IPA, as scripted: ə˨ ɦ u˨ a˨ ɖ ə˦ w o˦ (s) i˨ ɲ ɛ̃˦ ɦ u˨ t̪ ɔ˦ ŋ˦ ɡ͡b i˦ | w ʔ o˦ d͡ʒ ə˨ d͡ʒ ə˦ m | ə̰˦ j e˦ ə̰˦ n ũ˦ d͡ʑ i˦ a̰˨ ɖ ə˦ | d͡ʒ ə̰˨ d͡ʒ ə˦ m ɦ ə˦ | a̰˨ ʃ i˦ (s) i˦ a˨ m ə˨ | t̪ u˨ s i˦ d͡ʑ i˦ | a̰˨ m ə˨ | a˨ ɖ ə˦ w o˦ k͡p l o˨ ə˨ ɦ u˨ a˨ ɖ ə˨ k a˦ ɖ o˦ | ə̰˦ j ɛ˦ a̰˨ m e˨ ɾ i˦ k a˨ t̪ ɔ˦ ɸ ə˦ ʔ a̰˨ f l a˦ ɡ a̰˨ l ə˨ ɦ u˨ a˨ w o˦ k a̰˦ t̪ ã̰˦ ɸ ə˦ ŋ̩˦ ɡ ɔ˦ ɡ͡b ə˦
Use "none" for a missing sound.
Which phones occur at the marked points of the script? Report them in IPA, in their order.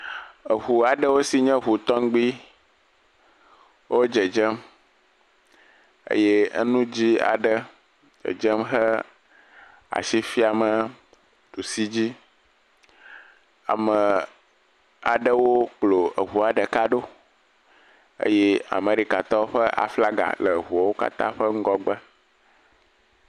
s, f

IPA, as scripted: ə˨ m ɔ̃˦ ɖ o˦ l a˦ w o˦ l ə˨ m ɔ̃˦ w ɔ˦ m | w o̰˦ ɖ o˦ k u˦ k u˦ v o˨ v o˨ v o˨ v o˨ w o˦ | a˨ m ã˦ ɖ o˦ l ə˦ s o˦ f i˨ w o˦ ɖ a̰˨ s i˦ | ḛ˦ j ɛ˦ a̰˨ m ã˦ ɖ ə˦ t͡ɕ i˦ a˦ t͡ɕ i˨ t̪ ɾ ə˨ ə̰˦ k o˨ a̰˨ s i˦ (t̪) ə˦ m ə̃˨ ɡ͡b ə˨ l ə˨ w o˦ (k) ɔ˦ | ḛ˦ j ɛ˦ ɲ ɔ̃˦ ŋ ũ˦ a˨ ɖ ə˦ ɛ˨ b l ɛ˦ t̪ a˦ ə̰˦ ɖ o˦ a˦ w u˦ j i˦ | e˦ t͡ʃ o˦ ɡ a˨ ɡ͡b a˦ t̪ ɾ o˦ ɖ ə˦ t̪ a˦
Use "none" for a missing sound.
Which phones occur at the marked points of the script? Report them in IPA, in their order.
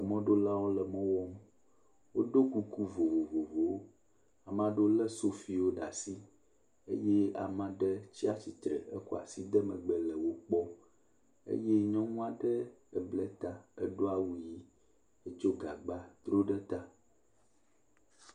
d̪, k͡p

